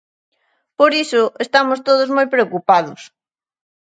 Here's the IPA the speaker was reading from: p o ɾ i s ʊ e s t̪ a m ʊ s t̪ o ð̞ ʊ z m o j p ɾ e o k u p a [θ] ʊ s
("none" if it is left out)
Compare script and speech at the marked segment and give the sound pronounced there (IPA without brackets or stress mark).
ð